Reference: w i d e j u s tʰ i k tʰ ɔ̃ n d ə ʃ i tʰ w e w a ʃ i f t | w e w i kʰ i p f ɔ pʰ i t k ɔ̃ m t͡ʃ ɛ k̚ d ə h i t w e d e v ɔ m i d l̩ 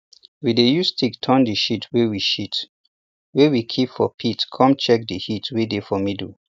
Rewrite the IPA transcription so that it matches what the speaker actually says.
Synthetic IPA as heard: w i d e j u s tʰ i k tʰ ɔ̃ n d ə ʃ i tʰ w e w i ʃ i t | w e w i kʰ i p f ɔ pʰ i t kʰ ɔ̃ m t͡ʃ ɛ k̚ d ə h i t w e d e f ɔ m i d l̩